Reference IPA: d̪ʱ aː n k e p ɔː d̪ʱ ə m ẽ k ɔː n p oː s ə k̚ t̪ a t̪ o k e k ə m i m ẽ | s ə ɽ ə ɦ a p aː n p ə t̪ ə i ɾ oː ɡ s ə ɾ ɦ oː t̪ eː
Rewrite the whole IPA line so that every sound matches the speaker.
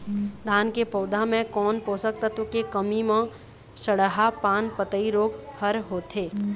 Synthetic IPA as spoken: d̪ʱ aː n k e p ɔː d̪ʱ a m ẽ k ɔː n p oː s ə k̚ t̪ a t̪ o k e k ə m i m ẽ | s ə ɽ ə ɦ a p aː n p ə t̪ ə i ɾ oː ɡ h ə ɾ ɦ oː t̪ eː